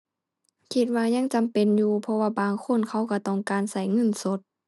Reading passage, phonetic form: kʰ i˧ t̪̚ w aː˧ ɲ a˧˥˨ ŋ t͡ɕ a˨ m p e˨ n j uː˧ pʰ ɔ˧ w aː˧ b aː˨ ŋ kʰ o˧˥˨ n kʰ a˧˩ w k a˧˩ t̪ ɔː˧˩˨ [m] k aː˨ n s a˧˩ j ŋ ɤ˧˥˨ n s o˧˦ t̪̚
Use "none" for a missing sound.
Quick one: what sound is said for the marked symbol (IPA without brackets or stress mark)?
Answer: ŋ